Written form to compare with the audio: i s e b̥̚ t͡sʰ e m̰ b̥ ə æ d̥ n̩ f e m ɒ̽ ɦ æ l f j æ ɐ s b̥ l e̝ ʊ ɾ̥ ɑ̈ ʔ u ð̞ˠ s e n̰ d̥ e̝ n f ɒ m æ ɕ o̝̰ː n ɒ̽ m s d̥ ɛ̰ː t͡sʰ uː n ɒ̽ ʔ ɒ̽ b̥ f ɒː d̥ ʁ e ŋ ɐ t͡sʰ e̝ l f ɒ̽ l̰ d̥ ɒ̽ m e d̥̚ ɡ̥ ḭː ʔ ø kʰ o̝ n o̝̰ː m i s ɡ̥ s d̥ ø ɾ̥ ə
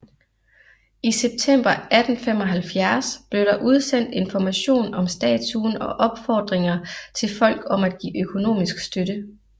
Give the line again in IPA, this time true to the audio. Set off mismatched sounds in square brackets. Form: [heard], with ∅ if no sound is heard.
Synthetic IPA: i s e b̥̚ t͡sʰ e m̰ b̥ [ɐ] æ d̥ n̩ f e m ɒ̽ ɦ æ l f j æ ɐ s b̥ l e̝ ʊ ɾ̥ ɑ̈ ʔ u ð̞ˠ s e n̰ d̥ e̝ n f ɒ m æ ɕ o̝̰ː n ɒ̽ m s d̥ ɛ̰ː t͡sʰ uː n ɒ̽ ʔ ɒ̽ b̥ f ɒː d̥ ʁ e ŋ ɐ t͡sʰ e̝ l f ɒ̽ l̰ [ɡ̥] ɒ̽ m [æ] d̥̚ ɡ̥ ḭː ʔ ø kʰ o̝ n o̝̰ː m i s ɡ̥ s d̥ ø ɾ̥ ə